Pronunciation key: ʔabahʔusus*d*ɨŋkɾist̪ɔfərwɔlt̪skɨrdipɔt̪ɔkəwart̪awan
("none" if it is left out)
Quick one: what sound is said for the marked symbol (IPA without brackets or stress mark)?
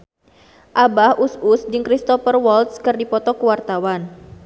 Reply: d